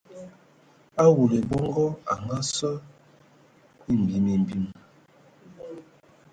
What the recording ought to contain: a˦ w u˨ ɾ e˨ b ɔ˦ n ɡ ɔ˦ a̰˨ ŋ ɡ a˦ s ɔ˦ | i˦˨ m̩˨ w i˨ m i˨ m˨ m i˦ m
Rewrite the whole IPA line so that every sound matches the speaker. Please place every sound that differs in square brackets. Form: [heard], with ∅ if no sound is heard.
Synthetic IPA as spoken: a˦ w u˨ [l] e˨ b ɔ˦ [ŋ] ɡ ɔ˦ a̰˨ ŋ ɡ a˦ s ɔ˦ | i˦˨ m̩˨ [b] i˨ m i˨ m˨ [b] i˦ m